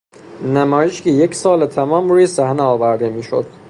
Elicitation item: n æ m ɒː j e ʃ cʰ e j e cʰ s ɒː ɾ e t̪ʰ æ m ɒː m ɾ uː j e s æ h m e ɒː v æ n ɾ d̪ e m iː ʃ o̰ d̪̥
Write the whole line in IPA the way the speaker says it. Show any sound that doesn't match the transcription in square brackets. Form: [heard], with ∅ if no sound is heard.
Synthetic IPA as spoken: n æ m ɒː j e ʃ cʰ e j e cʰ s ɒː [l] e t̪ʰ æ m ɒː m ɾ uː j e s æ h [n] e ɒː v æ [∅] ɾ d̪ e m iː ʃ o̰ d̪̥